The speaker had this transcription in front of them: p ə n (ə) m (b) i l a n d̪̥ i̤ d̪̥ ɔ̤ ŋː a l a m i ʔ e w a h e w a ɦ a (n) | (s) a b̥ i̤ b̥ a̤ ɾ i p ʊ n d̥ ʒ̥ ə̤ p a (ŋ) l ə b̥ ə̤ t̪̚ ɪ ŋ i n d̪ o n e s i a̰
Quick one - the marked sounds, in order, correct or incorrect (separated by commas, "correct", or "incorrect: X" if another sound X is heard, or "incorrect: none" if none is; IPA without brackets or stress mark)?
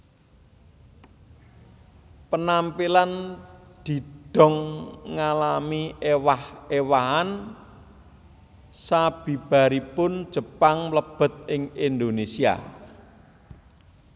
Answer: incorrect: a, incorrect: p, correct, correct, correct